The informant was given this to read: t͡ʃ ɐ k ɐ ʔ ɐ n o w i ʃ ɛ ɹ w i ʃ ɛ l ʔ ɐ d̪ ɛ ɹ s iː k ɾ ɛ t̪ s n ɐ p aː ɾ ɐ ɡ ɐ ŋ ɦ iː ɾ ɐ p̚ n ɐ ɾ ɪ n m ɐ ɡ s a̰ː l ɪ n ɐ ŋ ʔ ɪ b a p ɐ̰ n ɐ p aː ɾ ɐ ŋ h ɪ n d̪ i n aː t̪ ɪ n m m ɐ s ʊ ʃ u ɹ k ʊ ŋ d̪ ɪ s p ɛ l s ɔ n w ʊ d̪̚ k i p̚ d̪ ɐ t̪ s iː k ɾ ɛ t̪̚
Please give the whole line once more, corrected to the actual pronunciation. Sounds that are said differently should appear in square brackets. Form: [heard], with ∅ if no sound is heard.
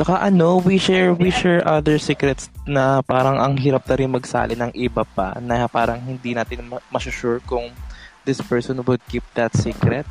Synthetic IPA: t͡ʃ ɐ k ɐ ʔ ɐ n o w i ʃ ɛ ɹ w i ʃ ɛ [ɹ] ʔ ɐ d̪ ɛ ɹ s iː k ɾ ɛ t̪ s n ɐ p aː ɾ ɐ [ŋ] ɐ ŋ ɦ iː ɾ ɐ p̚ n ɐ ɾ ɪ n m ɐ ɡ s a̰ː l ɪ n ɐ ŋ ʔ ɪ b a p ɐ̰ n ɐ p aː ɾ ɐ ŋ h ɪ n d̪ i n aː t̪ ɪ n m m ɐ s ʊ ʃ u ɹ k ʊ ŋ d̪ ɪ s p ɛ [ɹ] s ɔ n w ʊ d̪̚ k i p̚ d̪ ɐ t̪ s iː k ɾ ɛ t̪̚